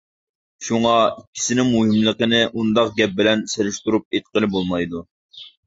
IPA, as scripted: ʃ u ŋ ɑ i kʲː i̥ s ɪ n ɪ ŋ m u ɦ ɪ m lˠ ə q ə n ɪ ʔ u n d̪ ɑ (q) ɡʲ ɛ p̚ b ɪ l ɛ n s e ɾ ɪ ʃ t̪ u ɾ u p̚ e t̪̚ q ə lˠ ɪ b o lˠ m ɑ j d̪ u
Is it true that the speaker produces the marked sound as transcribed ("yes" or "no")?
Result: yes